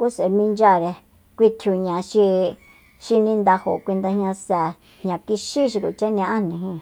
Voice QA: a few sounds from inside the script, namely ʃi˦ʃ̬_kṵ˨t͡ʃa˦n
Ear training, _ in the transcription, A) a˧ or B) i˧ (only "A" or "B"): B